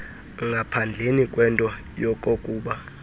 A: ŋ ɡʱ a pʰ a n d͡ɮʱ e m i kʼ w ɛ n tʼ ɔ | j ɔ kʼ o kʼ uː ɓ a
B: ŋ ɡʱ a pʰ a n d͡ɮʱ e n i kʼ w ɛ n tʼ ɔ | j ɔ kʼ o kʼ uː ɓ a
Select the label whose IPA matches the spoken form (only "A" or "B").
B